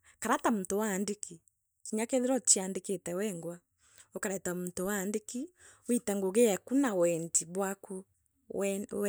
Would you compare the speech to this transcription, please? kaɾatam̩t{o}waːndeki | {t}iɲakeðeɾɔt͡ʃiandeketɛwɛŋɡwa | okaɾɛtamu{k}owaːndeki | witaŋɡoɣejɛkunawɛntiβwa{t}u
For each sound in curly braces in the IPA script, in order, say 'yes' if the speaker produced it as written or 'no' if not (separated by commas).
yes, no, no, no